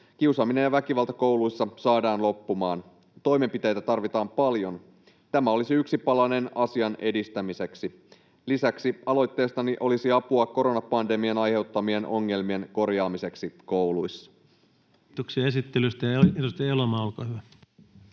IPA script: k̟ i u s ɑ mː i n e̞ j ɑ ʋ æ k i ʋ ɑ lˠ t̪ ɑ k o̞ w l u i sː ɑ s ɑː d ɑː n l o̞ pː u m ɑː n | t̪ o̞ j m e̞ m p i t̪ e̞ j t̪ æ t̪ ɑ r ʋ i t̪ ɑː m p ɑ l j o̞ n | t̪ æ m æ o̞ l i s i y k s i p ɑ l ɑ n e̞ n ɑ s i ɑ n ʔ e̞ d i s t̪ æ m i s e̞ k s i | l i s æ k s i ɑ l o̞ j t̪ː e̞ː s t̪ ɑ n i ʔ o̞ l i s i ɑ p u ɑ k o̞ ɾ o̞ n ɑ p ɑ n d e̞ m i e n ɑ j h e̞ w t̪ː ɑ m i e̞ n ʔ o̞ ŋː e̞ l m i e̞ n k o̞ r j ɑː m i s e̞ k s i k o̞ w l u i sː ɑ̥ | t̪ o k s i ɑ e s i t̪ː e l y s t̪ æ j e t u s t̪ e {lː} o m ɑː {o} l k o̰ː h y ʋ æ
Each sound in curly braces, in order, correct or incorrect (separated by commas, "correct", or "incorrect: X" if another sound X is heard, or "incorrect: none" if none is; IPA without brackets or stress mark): incorrect: l, correct